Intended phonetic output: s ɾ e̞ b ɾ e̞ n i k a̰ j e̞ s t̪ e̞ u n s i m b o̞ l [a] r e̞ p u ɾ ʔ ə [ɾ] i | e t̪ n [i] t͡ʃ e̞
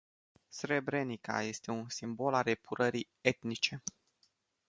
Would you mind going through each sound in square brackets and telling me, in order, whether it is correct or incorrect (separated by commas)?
correct, correct, correct